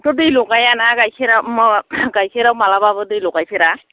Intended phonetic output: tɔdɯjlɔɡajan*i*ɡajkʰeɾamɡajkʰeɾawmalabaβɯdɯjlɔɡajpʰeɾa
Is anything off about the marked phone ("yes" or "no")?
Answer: yes